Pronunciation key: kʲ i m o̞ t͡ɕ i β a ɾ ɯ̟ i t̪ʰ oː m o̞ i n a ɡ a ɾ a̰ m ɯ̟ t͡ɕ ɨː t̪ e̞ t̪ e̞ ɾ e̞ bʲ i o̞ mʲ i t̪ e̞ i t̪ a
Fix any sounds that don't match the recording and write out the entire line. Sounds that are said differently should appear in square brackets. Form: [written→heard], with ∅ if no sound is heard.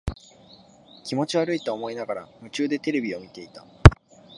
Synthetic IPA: kʲ i m o̞ t͡ɕ i β a ɾ ɯ̟ i [t̪ʰ→t̪] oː m o̞ i n a ɡ a ɾ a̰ m ɯ̟ t͡ɕ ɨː [t̪→d̪] e̞ t̪ e̞ ɾ e̞ bʲ i o̞ mʲ i t̪ e̞ i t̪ a